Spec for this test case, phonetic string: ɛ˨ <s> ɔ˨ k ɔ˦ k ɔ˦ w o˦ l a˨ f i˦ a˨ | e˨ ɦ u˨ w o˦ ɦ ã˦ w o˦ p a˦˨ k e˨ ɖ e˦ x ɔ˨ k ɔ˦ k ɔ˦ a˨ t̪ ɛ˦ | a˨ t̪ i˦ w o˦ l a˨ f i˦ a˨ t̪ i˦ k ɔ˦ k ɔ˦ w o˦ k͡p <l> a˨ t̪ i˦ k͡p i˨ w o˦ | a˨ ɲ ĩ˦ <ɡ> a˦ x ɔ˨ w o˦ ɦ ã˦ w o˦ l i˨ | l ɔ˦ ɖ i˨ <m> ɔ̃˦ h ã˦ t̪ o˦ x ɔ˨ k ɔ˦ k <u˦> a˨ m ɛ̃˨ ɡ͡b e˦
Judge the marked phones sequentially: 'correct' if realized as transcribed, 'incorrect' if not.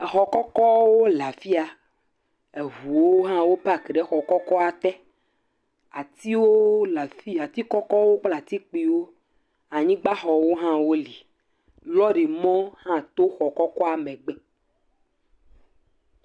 incorrect, correct, incorrect, correct, incorrect

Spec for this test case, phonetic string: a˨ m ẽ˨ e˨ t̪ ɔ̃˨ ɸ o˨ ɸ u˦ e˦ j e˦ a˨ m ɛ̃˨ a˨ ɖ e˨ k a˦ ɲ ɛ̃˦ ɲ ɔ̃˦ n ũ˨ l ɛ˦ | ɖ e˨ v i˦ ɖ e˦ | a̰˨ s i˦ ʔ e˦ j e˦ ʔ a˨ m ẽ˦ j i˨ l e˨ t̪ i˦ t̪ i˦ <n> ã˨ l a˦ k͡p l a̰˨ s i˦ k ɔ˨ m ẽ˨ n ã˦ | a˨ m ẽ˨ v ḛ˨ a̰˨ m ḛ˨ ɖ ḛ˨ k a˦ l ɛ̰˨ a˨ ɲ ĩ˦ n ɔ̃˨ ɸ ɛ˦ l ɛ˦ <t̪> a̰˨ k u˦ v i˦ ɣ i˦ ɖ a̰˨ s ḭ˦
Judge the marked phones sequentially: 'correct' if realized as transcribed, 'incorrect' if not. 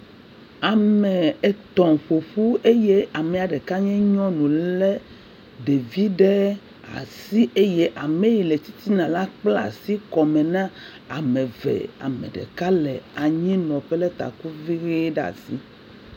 correct, correct

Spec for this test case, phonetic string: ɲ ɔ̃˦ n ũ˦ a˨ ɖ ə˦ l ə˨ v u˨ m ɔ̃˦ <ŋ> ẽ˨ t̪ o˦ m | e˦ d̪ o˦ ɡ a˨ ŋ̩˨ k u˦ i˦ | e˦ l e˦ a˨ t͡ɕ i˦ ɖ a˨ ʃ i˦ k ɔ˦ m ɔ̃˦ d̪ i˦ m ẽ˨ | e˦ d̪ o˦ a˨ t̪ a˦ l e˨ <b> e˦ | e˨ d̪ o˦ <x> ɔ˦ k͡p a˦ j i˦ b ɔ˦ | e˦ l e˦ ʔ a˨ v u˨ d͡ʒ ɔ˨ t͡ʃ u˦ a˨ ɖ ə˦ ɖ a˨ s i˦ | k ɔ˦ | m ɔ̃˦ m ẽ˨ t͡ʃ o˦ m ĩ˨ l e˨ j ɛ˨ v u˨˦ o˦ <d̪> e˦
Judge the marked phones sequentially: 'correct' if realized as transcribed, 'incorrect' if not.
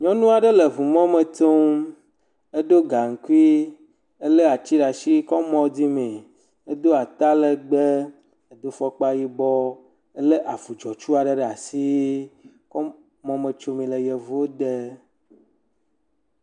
incorrect, incorrect, incorrect, correct

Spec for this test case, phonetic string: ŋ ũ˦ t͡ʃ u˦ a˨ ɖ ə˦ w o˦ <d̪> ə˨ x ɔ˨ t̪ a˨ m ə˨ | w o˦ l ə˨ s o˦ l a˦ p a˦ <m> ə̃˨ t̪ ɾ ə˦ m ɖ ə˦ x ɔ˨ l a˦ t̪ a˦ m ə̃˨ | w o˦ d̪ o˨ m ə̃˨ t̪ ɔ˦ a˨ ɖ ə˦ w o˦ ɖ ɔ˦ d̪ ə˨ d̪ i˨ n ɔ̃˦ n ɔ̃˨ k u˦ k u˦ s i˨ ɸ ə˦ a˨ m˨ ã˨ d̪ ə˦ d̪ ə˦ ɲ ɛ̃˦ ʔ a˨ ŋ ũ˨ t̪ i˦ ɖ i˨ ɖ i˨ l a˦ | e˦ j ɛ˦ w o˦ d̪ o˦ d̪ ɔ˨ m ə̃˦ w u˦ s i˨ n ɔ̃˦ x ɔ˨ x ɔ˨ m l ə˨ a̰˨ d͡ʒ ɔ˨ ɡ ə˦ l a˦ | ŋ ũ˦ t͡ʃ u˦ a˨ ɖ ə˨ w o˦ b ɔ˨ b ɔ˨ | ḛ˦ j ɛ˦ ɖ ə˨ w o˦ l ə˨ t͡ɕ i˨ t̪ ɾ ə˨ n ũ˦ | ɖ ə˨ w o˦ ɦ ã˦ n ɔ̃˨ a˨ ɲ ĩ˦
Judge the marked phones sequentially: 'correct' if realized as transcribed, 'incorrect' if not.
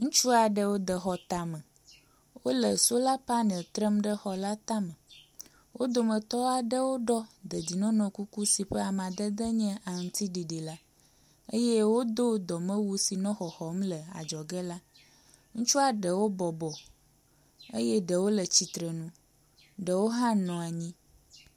correct, incorrect

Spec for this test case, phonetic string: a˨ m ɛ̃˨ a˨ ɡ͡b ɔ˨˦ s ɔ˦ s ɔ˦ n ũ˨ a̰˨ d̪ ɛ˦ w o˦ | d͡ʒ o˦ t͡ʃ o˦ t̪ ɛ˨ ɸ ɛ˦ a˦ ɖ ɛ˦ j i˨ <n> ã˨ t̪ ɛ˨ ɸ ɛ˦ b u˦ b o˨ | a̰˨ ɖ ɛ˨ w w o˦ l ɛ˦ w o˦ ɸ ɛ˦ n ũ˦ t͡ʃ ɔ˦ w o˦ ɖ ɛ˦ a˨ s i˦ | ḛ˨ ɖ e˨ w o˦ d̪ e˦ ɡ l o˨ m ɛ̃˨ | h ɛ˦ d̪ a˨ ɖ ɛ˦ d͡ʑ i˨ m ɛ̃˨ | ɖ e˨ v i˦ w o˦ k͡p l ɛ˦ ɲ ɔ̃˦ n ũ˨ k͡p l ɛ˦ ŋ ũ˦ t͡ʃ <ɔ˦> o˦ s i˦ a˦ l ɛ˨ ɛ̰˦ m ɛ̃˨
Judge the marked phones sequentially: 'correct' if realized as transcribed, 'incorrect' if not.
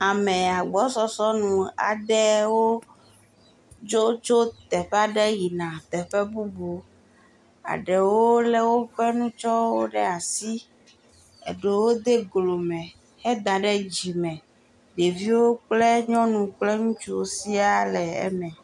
correct, incorrect

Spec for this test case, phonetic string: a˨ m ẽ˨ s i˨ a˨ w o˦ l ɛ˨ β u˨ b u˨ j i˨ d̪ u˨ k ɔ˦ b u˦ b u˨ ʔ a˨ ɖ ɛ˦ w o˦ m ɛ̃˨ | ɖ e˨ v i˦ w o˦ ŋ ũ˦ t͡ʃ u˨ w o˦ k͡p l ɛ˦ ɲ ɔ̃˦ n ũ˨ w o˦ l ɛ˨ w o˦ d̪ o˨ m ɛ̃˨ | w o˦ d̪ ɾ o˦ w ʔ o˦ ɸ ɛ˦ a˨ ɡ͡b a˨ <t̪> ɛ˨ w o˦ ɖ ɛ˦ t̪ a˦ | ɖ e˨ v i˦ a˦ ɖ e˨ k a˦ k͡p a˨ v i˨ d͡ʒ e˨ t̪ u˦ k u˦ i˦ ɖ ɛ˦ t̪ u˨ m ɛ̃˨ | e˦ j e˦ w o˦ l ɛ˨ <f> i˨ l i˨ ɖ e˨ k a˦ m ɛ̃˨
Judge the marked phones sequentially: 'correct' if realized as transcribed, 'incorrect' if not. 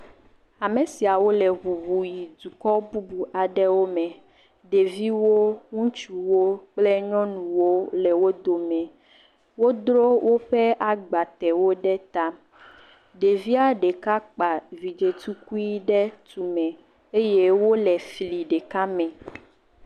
correct, correct

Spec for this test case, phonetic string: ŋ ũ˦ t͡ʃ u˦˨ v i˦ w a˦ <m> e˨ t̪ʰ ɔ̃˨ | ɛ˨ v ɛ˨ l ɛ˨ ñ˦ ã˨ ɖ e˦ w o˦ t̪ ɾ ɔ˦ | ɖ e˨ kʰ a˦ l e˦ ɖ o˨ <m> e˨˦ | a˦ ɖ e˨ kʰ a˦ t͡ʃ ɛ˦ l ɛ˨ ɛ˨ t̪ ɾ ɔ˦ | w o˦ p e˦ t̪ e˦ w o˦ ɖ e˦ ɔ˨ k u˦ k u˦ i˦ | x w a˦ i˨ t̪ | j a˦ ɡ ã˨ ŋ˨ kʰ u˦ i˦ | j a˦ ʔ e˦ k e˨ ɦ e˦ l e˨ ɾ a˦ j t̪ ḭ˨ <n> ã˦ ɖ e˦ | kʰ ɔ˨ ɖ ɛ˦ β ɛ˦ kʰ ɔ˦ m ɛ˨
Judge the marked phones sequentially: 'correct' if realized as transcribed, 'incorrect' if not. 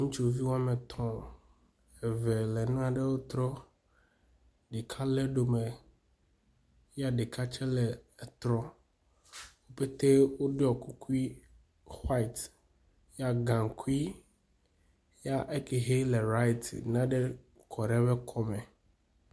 correct, correct, correct

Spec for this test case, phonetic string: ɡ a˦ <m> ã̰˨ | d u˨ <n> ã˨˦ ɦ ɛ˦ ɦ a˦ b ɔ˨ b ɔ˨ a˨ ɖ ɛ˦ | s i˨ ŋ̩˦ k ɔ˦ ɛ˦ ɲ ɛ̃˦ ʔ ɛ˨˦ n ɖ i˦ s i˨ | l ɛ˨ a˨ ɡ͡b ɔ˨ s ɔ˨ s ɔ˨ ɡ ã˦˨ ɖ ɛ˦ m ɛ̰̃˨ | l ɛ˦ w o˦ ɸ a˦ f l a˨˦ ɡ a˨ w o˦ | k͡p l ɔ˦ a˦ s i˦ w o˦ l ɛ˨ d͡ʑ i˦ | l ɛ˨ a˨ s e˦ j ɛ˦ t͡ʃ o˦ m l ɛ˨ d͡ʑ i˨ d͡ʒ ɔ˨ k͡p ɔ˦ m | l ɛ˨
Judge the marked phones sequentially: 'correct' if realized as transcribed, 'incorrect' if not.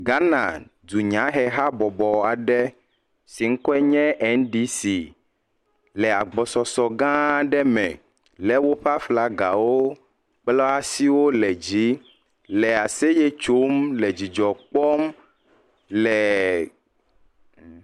incorrect, incorrect

